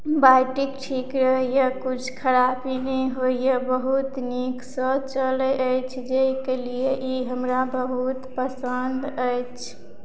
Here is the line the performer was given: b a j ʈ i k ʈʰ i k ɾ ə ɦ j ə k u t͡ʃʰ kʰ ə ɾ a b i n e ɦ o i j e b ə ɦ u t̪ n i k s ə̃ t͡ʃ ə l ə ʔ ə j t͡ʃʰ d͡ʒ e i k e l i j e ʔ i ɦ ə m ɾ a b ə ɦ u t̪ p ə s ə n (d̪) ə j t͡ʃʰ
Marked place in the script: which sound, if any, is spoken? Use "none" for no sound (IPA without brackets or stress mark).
d̪